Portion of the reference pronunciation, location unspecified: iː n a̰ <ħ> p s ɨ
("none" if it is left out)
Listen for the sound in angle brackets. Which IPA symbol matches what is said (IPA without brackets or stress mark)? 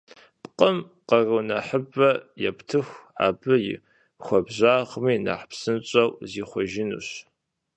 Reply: ħ